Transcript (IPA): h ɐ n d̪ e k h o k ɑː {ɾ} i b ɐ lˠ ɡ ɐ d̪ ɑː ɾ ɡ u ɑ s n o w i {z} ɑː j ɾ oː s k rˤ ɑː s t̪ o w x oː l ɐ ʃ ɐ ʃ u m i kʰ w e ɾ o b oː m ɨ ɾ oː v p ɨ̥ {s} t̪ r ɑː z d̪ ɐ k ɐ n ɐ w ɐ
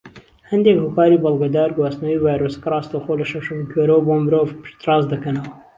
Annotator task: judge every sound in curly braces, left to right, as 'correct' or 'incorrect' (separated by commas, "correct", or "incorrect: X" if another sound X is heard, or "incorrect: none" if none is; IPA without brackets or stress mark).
correct, incorrect: v, incorrect: ʃ